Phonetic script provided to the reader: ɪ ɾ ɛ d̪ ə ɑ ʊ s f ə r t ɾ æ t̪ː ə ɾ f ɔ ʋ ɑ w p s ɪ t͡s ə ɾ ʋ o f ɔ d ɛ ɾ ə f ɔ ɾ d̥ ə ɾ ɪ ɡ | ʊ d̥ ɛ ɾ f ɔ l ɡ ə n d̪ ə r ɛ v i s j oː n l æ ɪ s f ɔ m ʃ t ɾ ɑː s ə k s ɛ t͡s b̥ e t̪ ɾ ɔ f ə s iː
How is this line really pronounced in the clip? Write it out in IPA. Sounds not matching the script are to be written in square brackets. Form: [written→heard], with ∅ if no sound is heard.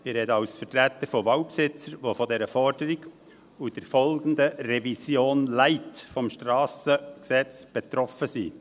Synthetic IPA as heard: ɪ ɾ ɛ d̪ ə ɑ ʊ s f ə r t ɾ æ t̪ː ə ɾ f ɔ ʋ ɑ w p s ɪ t͡s ə ɾ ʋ o f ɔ d ɛ ɾ ə f ɔ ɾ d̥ ə ɾ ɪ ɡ | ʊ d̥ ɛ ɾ f ɔ l ɡ ə n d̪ ə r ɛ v i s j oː n l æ ɪ [s→t] f ɔ m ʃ t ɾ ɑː s ə k s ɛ t͡s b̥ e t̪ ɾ ɔ f ə s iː